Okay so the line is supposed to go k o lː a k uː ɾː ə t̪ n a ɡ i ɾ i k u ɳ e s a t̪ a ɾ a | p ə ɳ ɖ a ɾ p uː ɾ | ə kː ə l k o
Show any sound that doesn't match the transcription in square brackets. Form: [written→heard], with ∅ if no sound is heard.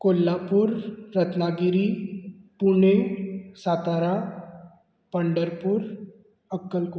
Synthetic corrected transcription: k o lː a [k→p] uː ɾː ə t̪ n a ɡ i ɾ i [k→p] u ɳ e s a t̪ a ɾ a | p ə ɳ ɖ [a→ə] ɾ p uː ɾ | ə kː ə l k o